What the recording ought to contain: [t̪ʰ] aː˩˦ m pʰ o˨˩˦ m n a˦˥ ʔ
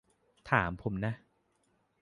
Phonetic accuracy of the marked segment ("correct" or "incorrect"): correct